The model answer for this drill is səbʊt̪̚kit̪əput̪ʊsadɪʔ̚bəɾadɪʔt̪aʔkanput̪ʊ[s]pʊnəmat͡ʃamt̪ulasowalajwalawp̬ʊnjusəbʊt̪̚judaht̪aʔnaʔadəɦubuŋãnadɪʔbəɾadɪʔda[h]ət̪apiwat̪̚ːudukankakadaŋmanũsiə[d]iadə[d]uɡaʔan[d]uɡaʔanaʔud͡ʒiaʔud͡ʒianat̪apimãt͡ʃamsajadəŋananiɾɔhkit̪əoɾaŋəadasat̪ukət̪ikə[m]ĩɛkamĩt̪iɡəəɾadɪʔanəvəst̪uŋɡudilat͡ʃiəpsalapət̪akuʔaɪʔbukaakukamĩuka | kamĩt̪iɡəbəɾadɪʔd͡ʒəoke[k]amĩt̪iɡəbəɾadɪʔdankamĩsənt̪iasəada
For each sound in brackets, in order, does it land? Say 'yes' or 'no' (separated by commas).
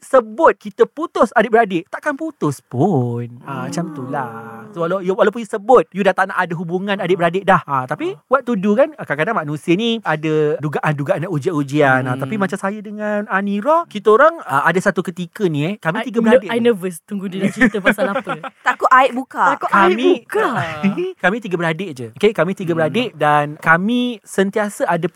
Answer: yes, yes, no, yes, yes, no, yes